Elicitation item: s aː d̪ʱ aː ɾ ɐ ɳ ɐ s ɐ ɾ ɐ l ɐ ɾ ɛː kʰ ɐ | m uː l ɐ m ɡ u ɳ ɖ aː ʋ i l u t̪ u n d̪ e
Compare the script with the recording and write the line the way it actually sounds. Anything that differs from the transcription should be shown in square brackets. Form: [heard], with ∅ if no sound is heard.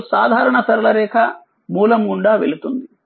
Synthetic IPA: s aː d̪ʱ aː ɾ ɐ ɳ ɐ s ɐ ɾ ɐ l ɐ ɾ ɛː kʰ ɐ | m uː l ɐ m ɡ u ɳ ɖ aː ʋ [e] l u t̪ u n d̪ [i]